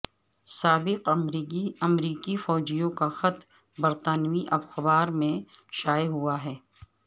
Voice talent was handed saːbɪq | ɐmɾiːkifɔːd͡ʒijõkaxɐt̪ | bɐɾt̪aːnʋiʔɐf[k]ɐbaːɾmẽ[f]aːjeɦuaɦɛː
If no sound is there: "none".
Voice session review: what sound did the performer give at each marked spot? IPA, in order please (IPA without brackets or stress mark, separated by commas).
x, ʃ